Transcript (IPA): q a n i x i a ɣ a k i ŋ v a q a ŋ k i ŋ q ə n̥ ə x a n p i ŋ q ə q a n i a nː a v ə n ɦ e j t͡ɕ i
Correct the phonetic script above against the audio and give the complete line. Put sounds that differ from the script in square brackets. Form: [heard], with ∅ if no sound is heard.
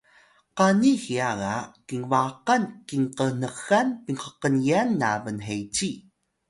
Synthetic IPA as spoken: q a n i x i a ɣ a k i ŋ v a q a [n] k i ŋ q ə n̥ ə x a n p i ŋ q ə q [ə] n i a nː a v ə n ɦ e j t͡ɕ i